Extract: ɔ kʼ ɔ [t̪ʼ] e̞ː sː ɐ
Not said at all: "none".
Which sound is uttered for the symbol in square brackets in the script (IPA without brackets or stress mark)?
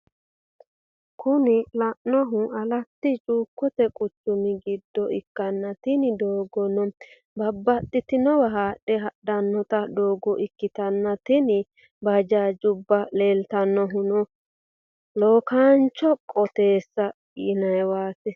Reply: t̪